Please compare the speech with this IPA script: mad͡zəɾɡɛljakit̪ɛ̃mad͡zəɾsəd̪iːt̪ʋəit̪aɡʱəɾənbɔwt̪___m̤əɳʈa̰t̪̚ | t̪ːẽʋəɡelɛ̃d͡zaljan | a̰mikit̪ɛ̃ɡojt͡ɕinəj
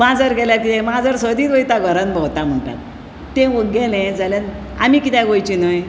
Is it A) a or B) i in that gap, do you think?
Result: A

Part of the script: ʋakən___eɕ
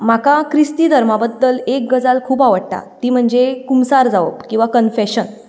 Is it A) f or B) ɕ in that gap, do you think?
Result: A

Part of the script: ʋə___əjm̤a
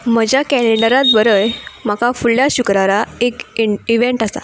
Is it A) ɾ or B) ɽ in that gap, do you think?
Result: A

